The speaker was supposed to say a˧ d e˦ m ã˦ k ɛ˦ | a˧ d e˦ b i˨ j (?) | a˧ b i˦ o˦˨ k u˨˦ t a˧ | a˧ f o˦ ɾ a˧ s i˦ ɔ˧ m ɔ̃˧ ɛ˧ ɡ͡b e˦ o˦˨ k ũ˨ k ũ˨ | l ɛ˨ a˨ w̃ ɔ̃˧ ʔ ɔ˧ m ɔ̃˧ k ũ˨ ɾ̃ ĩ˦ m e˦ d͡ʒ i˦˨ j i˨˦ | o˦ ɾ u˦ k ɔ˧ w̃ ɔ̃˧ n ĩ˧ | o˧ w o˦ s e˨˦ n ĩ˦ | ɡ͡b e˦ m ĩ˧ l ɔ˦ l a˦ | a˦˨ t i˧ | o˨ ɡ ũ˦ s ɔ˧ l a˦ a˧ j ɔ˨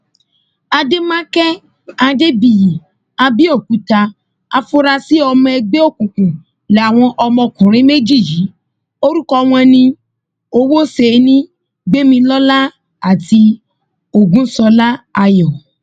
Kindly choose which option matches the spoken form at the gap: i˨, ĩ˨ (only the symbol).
i˨